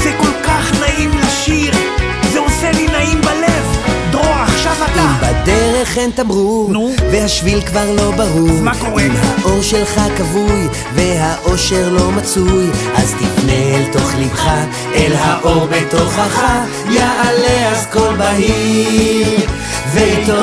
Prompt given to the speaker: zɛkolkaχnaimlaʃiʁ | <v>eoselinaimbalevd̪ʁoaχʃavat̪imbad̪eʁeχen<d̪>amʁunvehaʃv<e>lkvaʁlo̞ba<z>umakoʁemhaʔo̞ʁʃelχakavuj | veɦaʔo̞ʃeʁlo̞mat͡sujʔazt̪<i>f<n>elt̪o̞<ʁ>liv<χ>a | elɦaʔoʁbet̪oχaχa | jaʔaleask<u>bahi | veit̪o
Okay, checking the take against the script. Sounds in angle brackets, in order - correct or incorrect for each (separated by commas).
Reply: incorrect, incorrect, incorrect, incorrect, correct, correct, incorrect, correct, incorrect